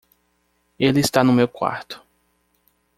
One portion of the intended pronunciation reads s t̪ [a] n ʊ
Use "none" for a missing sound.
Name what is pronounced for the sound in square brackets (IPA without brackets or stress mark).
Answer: a